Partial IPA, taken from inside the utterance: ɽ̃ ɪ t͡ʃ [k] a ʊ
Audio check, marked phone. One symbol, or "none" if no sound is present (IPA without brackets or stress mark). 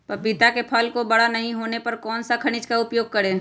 k